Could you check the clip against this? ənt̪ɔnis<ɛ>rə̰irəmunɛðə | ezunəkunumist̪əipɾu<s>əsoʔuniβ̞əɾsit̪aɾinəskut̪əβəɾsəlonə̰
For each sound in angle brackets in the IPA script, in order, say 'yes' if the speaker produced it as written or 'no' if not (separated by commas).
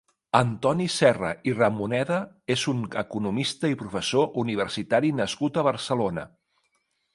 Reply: yes, no